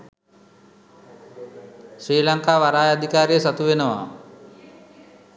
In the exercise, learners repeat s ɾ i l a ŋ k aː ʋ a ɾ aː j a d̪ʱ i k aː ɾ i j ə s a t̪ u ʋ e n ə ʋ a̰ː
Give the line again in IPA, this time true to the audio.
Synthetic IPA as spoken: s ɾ iː l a ŋ k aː ʋ a ɾ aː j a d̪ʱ i k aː ɾ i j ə s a t̪ u ʋ e n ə ʋ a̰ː